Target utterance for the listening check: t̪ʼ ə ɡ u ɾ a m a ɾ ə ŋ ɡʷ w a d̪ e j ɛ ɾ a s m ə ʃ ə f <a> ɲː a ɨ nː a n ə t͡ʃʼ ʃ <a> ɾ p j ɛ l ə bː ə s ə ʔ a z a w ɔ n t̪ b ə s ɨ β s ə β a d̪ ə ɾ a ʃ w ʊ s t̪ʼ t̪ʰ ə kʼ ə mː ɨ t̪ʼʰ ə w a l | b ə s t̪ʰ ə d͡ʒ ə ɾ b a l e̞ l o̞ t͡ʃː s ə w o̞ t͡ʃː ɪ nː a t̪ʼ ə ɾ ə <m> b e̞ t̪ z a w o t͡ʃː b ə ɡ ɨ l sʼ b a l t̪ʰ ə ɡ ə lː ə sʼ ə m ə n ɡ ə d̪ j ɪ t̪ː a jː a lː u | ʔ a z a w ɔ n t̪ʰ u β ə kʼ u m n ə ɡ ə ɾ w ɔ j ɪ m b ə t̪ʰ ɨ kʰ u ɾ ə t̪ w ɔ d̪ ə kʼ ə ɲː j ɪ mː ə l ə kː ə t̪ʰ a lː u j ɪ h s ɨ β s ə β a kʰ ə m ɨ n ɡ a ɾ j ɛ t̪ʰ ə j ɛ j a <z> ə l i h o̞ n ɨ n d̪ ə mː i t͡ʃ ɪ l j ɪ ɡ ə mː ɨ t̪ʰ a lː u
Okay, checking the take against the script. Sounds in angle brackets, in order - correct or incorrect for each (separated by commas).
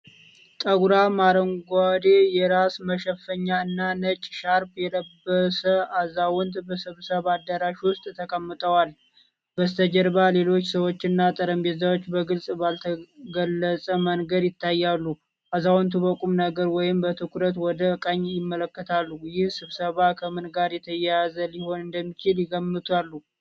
incorrect, correct, correct, correct